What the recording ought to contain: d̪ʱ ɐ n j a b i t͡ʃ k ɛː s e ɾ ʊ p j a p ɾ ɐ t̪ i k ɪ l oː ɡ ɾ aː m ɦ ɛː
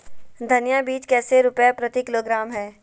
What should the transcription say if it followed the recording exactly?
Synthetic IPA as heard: d̪ʱ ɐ n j a b iː t͡ʃ k ɛː s e ɾ ʊ p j a p ɾ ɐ t̪ i k ɪ l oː ɡ ɾ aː m ɦ ɛː